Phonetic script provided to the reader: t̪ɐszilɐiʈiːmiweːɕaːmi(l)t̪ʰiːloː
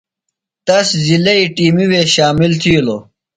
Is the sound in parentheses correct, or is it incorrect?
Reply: correct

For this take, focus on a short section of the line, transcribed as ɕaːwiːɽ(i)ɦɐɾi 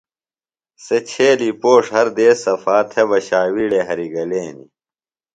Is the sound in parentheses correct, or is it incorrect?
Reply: incorrect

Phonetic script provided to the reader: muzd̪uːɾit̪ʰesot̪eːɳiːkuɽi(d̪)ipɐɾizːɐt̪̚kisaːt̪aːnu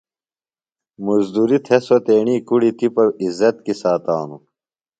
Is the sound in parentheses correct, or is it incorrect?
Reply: incorrect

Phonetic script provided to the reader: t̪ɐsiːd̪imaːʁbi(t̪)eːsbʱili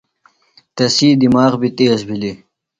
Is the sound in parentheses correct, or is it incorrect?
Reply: correct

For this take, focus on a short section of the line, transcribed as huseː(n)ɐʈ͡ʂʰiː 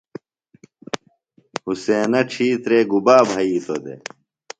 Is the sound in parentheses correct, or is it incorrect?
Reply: correct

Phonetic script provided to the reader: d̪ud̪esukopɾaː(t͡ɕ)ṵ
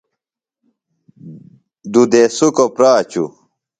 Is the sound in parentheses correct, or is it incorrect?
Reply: correct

